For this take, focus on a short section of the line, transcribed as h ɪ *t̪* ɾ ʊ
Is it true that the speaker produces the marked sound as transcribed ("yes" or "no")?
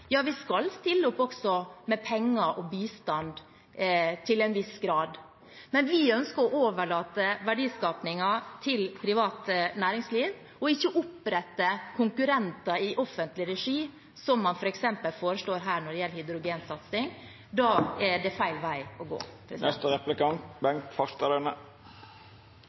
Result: no